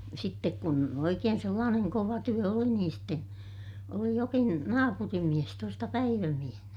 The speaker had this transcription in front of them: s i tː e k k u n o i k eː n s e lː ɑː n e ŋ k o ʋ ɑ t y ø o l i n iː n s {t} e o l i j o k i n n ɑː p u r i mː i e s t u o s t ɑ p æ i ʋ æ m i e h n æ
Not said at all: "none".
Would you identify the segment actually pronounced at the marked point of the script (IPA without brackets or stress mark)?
t